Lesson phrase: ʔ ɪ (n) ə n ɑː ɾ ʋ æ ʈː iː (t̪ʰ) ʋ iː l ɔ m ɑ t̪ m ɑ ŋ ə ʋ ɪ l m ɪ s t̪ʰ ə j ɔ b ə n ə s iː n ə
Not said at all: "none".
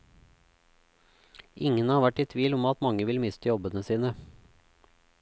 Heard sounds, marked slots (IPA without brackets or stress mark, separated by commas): ŋ, t̪ʰ